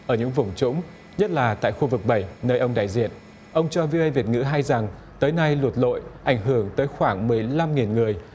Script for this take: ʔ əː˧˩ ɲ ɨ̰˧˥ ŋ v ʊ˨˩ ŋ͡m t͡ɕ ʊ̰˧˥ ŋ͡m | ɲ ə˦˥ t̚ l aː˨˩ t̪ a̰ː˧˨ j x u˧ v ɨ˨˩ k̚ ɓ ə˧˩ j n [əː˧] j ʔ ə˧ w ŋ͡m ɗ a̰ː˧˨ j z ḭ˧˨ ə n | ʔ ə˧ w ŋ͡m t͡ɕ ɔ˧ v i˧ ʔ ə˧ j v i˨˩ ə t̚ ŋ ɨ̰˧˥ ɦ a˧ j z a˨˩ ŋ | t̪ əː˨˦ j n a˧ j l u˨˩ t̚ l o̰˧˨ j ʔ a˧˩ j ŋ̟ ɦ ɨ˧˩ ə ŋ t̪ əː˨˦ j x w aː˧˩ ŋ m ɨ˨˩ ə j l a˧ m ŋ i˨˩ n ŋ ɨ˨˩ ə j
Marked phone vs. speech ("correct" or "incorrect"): correct